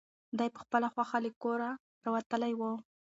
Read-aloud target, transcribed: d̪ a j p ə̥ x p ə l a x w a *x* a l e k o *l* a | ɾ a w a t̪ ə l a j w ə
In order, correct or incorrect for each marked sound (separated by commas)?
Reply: correct, incorrect